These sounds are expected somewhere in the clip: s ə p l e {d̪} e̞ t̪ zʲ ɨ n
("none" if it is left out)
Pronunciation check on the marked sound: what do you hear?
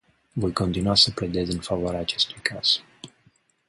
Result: d̪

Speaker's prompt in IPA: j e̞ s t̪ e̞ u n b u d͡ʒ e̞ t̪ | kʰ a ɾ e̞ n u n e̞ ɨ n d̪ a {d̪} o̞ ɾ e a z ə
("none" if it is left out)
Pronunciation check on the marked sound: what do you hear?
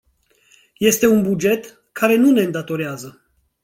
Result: t̪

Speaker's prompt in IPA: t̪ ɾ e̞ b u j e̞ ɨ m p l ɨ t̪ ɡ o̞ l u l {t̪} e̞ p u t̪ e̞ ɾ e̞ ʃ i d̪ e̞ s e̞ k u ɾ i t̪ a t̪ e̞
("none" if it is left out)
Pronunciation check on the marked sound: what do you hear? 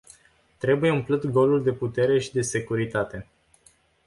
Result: d̪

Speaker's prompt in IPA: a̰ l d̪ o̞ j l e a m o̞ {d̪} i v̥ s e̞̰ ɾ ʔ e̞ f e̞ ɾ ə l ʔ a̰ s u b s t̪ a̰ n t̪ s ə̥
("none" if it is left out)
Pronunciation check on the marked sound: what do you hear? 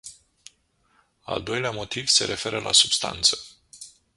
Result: t̪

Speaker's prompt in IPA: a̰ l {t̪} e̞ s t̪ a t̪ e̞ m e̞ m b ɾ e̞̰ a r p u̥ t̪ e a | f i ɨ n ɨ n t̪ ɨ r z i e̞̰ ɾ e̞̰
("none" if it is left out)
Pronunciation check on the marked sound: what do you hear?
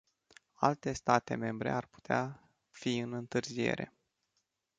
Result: t̪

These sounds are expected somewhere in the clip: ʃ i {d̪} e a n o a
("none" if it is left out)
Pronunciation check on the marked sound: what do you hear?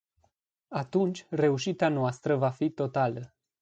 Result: t̪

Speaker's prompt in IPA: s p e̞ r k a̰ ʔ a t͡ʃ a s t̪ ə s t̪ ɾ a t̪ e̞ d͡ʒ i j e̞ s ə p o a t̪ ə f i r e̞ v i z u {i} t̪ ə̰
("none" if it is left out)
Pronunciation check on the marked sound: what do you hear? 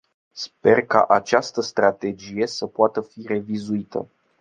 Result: i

